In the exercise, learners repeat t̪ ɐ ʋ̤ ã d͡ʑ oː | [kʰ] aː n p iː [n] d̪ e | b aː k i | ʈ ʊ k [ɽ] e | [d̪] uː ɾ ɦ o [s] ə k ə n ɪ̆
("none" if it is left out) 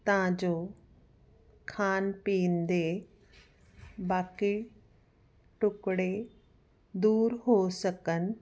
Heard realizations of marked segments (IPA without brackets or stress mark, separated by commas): kʰ, n, ɽ, d̪, s